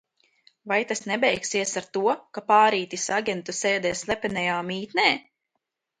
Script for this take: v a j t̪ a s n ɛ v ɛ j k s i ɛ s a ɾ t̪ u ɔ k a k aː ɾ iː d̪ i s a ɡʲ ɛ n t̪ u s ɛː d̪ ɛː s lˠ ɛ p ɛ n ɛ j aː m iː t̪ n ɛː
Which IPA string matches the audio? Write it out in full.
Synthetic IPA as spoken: v a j t̪ a s n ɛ b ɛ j k s i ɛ s a ɾ t̪ u ɔ k a p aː ɾ iː t̪ i s a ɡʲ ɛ n t̪ u s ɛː d̪ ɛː s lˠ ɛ p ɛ n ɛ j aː m iː t̪ n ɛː

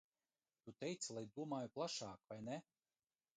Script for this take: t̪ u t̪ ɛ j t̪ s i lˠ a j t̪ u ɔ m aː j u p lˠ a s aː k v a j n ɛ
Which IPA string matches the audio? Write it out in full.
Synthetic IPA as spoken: t̪ u t̪ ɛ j t̪ s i lˠ a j d̪ u ɔ m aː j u p lˠ a ʃ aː k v a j n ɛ

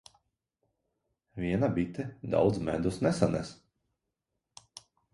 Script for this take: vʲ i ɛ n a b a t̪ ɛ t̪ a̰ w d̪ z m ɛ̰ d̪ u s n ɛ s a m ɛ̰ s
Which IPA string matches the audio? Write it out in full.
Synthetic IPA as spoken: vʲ i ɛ n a b i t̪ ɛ d̪ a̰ w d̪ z m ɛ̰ d̪ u s n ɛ s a n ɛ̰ s

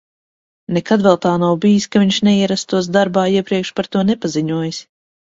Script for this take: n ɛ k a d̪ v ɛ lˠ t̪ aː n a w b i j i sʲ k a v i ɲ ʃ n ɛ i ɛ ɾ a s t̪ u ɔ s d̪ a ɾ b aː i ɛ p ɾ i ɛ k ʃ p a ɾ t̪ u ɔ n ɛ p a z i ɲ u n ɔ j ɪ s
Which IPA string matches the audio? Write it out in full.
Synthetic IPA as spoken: n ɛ k a d̪ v ɛ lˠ t̪ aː n a w b i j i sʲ k a v i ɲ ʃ n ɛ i ɛ ɾ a s t̪ u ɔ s d̪ a ɾ b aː i ɛ p ɾ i ɛ k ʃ p a ɾ t̪ u ɔ n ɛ p a z i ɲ u ɔ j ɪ s

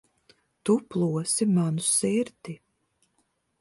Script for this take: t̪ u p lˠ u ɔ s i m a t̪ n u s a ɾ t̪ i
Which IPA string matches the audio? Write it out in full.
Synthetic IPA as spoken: t̪ u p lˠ u ɔ s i m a n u s i ɾ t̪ i

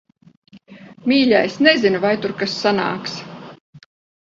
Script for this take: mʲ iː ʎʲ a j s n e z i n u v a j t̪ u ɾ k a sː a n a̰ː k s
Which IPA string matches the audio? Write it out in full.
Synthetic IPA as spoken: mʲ iː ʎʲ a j s n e z i n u v a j t̪ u ɾ k a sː a n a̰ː k s

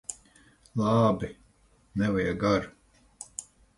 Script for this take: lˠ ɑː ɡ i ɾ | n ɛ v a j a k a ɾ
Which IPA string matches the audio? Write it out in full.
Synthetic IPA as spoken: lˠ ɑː b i | n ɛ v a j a ɡ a ɾ

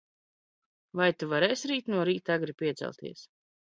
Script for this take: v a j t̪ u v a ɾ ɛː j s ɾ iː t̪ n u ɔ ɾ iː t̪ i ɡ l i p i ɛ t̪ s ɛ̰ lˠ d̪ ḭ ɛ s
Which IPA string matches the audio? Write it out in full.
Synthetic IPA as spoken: v a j t̪ u v a ɾ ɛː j s ɾ iː t̪ n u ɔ ɾ iː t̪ a ɡ ɾ i p i ɛ t̪ s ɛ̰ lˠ t̪ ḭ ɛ s

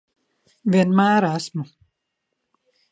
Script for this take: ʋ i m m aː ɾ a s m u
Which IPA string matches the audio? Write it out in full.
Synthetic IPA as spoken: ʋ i n m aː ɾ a s m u

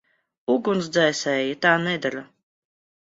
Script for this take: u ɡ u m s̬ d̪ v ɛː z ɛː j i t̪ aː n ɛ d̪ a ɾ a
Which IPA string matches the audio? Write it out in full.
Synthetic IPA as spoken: u ɡ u n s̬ d̪ z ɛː s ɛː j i t̪ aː n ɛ d̪ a ɾ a

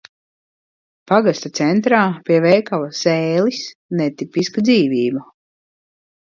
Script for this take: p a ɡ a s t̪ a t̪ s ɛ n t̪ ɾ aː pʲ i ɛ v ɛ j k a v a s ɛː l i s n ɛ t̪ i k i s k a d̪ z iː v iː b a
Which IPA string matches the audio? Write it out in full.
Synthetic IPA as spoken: p a ɡ a s t̪ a t̪ s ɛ n t̪ ɾ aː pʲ i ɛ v ɛ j k a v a s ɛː l i s n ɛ t̪ i p i s k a d̪ z iː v iː b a

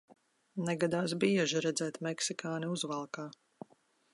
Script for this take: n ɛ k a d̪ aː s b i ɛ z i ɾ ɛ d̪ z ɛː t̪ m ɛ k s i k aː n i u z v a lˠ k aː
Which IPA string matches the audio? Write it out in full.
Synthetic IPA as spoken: n ɛ ɡ a d̪ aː s b i ɛ ʒ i ɾ ɛ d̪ z ɛː t̪ m ɛ k s i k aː n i u z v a lˠ k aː

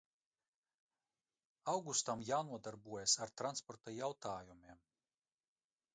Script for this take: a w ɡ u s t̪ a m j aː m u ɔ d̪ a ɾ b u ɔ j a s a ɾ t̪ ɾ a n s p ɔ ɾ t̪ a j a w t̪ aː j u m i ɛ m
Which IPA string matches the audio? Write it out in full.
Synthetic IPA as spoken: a w ɡ u s t̪ a m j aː n u ɔ d̪ a ɾ b u ɔ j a s a ɾ t̪ ɾ a n s p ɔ ɾ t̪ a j a w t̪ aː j u m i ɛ m

